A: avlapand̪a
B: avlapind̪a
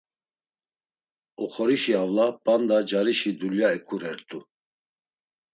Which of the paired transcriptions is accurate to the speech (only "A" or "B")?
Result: A